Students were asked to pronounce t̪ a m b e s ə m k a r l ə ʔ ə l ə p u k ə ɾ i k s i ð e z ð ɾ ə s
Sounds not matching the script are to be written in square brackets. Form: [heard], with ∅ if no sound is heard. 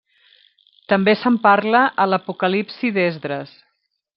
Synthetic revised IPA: t̪ [ə] m b e s ə m [p] a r l ə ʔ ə l ə p u k ə [l] i [p] s i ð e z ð ɾ ə s